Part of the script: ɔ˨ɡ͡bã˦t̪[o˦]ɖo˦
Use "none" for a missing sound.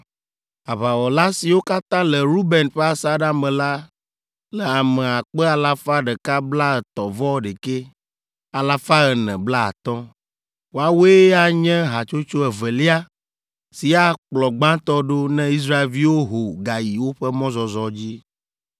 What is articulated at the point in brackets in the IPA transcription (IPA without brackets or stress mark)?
ɔ˦